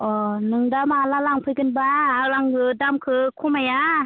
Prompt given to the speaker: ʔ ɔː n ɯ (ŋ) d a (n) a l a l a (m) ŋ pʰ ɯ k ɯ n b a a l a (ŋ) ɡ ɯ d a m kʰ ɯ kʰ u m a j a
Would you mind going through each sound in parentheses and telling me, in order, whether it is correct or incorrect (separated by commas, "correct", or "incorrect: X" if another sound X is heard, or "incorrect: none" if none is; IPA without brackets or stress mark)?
correct, incorrect: m, incorrect: none, correct